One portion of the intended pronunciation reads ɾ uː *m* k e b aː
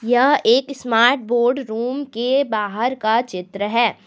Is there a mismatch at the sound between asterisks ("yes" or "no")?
no